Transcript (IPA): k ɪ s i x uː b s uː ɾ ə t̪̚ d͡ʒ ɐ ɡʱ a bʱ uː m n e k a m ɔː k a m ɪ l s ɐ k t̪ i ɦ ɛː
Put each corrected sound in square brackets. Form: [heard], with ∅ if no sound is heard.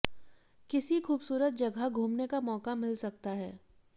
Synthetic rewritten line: k ɪ s i x uː b s uː ɾ ə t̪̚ d͡ʒ ɐ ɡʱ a [ɡʱ] uː m n e k a m ɔː k a m ɪ l s ɐ k t̪ [a] ɦ ɛː